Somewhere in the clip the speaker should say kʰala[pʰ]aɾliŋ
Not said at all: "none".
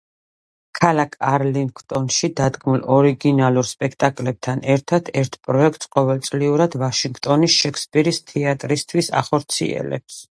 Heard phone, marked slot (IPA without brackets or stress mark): kʰ